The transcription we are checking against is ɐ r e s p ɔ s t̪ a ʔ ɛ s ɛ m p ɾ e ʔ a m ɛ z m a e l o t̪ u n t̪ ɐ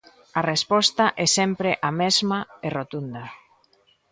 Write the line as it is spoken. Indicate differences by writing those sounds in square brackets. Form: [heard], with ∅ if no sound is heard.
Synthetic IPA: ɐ r e s p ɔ s t̪ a ʔ ɛ s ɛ m p ɾ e ʔ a m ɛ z m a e [r] o t̪ u n [d̪] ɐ